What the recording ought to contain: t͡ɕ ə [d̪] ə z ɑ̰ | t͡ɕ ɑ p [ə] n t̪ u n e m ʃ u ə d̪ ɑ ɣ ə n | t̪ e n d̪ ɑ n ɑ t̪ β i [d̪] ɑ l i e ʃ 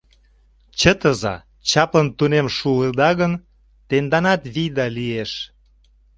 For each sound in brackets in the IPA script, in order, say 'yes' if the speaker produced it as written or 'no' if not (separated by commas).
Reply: no, yes, yes